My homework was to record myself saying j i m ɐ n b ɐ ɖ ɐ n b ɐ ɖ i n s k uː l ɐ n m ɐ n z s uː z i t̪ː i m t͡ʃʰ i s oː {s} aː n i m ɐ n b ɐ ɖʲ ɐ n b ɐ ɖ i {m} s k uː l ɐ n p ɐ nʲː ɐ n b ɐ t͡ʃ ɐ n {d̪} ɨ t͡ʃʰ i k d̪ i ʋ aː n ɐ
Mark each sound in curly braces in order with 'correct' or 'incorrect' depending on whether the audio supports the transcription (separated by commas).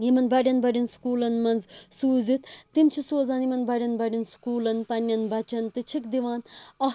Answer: incorrect, incorrect, incorrect